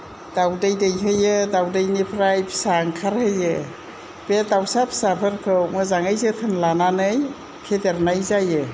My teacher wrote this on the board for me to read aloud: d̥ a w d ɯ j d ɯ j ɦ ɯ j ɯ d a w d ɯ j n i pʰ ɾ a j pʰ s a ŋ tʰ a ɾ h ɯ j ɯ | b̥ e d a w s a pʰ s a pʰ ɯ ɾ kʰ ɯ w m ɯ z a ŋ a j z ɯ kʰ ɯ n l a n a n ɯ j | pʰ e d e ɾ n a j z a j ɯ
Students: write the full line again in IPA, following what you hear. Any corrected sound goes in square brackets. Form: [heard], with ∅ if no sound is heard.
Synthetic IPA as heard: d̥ a w d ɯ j d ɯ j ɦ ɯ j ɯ d a w d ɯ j n i pʰ ɾ a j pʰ s a ŋ [kʰ] a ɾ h ɯ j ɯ | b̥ e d a w s a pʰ s a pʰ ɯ ɾ kʰ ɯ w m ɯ z a ŋ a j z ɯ [tʰ] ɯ n l a n a n ɯ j | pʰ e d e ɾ n a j z a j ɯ